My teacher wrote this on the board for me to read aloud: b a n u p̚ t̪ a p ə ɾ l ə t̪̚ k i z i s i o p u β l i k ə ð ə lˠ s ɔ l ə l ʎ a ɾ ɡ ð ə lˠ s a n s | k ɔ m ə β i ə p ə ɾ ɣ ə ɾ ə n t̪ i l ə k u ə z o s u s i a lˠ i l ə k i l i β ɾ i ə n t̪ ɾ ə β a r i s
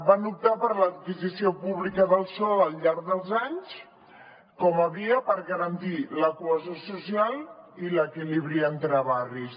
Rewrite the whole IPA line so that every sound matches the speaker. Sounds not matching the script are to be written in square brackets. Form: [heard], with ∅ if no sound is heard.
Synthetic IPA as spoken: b a n u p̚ t̪ a p ə ɾ l ə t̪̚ k i z i s i o p u β l i k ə ð ə lˠ s ɔ l ə l ʎ a ɾ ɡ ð ə lˠ [z] a [ɲ] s | k ɔ m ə β i ə p ə ɾ ɣ ə ɾ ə n t̪ i l ə k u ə z o s u s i a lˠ i l ə k i l i β ɾ i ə n t̪ ɾ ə β a r i s